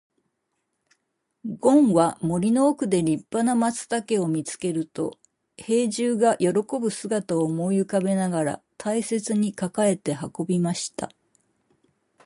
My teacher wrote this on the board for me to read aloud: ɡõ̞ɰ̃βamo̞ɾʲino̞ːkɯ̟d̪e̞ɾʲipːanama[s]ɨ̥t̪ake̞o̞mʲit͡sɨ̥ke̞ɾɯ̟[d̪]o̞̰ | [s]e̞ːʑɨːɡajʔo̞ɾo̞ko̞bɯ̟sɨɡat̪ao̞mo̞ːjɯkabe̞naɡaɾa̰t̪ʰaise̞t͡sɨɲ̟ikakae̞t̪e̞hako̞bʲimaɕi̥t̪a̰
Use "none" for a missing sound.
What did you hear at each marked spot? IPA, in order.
t͡s, t̪, h

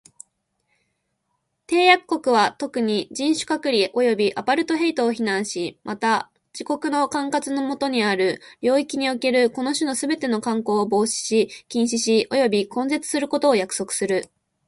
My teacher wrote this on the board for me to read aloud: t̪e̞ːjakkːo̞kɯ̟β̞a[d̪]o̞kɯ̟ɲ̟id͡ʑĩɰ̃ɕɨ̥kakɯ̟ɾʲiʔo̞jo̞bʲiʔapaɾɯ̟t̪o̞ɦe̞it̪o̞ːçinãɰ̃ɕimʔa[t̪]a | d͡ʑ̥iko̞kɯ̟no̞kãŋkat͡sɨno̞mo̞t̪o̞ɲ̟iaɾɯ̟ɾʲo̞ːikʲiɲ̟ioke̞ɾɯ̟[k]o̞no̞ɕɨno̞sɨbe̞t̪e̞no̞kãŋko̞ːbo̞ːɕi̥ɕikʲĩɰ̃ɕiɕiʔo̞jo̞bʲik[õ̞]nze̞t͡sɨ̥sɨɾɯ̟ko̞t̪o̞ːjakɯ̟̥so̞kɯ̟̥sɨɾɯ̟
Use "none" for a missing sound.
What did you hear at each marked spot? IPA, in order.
t̪, t̪, k, õ̞

